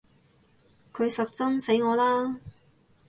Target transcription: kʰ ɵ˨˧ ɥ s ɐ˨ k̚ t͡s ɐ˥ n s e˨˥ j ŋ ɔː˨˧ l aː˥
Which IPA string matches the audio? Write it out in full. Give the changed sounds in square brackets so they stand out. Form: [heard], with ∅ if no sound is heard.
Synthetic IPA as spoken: kʰ ɵ˨˧ ɥ s ɐ˨ k̚ t͡s ɐ˥ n s e˨˥ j ŋ ɔː˨˧ l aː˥